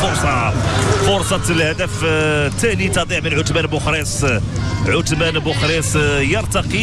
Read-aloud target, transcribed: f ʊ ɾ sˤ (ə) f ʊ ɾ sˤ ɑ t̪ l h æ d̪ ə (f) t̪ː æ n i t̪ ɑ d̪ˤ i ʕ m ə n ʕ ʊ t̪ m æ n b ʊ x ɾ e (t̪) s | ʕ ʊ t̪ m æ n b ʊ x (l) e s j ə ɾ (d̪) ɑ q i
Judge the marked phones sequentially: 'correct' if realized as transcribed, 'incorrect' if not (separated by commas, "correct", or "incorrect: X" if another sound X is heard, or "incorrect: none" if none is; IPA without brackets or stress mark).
incorrect: ɑ, correct, incorrect: none, incorrect: ɾ, incorrect: t̪